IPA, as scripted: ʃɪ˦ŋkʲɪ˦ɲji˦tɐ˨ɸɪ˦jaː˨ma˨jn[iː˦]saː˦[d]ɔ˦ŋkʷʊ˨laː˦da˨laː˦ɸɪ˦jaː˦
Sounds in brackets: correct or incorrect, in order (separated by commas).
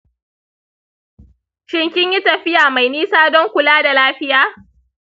correct, correct